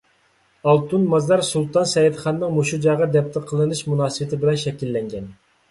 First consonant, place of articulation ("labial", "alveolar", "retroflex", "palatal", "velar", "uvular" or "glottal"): alveolar